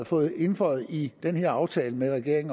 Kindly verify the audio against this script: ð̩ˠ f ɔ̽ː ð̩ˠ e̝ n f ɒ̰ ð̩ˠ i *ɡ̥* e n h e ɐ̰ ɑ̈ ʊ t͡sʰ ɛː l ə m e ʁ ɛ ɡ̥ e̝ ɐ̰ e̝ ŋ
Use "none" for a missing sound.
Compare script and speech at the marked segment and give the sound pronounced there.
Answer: d̥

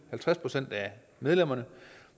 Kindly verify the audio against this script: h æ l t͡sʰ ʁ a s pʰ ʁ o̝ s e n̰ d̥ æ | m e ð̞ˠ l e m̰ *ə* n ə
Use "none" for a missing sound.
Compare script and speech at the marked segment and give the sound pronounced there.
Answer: ɐ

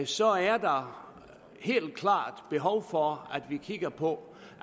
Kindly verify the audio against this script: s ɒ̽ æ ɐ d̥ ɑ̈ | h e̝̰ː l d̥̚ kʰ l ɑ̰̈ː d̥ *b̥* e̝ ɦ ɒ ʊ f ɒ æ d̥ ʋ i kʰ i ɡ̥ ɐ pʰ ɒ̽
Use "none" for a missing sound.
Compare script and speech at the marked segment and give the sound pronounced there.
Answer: b̥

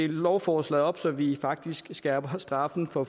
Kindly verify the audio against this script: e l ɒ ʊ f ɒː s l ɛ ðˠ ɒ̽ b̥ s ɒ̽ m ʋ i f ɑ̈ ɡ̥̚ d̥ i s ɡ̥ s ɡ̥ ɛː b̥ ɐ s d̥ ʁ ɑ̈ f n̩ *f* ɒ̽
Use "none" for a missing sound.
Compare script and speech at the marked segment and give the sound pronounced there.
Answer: f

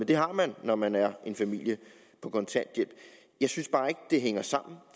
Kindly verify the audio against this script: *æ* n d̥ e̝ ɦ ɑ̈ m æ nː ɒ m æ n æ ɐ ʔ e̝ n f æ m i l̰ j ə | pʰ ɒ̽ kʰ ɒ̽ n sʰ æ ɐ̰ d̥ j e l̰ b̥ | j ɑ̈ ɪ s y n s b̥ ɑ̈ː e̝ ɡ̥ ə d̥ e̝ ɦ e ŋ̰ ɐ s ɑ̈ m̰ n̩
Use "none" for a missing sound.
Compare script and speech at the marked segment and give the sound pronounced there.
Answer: e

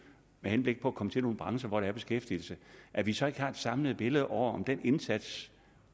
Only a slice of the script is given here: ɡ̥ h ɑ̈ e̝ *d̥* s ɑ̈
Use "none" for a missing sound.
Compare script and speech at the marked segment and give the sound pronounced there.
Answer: d̥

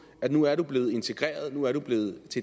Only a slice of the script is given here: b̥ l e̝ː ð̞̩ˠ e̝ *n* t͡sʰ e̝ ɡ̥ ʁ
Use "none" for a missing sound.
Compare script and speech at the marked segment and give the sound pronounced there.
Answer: n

